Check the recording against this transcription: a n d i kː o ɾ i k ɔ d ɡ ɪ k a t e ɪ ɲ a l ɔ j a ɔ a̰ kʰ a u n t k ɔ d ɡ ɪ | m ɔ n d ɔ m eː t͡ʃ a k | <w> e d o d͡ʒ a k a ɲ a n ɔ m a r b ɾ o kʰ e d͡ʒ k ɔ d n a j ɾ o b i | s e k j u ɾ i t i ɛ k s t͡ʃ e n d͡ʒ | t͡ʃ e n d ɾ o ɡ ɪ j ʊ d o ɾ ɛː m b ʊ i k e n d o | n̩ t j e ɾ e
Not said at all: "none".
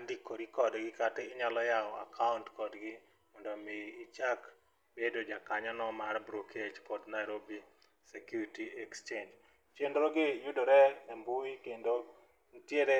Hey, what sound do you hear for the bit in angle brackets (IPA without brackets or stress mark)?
b